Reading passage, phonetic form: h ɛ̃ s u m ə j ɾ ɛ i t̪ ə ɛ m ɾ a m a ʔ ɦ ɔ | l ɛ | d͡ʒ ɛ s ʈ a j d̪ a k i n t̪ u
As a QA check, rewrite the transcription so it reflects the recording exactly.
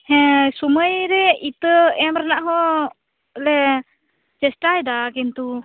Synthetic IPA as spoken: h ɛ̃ s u m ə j ɾ ɛ i t̪ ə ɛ m ɾ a n a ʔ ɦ ɔ | l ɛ | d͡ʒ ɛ s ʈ a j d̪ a k i n t̪ u

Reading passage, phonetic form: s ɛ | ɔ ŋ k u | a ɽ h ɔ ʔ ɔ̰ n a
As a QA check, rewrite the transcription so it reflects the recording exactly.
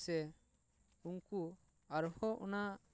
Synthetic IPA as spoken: s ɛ | u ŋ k u | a ɾ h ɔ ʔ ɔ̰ n a

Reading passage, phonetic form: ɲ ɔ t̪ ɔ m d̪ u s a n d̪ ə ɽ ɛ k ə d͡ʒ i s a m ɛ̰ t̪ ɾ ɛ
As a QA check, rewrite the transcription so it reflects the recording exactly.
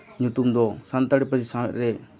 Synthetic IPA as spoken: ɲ u t̪ u m d̪ ɔ s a n t̪ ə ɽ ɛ p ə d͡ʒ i s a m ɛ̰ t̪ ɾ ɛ

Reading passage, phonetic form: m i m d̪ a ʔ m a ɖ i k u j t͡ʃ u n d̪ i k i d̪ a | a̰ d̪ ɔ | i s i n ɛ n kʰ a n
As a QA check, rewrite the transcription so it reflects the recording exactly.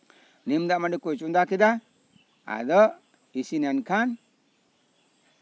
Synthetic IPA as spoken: n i m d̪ a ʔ m a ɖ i k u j t͡ʃ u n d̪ a k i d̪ a | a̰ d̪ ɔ | i s i n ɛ n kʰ a n

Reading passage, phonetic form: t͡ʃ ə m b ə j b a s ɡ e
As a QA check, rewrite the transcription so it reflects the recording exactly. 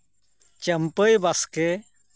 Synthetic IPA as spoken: t͡ʃ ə m p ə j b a s k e

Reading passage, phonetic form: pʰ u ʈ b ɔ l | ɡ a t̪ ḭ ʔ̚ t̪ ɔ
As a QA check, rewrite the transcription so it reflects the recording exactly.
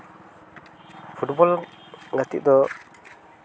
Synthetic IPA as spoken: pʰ u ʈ b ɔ l | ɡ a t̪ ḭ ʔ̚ d̪ ɔ

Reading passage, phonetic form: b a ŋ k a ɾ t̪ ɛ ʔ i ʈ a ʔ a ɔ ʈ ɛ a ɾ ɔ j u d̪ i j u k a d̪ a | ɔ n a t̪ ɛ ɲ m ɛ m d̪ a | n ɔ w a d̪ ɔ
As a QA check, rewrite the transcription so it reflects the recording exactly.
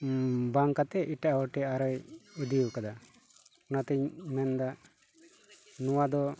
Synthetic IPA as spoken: b a ŋ k a t̪ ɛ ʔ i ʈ a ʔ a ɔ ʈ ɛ a ɾ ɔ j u d̪ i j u k a d̪ a | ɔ n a t̪ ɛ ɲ m ɛ n d̪ a | n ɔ w a d̪ ɔ

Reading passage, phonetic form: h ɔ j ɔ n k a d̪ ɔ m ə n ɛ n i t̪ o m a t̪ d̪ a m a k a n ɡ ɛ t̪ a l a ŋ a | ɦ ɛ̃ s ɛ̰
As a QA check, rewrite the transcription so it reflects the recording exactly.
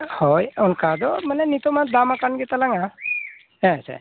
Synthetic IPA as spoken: h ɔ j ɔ n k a d̪ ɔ m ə n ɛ n i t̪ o m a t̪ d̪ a m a k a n ɡ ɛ t̪ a l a ŋ a | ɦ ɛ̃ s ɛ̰

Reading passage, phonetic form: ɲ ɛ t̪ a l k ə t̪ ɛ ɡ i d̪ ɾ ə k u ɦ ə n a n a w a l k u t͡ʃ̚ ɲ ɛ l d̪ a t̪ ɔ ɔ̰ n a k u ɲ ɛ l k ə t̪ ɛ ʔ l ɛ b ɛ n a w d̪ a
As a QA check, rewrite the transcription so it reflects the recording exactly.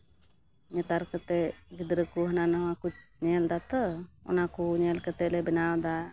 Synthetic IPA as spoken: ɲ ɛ t̪ a ɾ k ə t̪ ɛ ɡ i d̪ ɾ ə k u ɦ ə n a n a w a k u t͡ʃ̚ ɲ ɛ l d̪ a t̪ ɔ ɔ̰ n a k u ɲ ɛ l k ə t̪ ɛ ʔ l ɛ b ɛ n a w d̪ a

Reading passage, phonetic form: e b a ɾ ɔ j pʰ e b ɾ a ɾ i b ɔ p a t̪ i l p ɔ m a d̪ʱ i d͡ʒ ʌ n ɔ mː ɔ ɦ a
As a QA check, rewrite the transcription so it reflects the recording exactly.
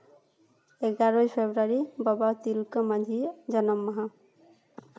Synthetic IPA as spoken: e ɡ a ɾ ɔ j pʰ e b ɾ a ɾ i b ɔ b a t̪ i l k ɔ m a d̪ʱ i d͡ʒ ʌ n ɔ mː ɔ ɦ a

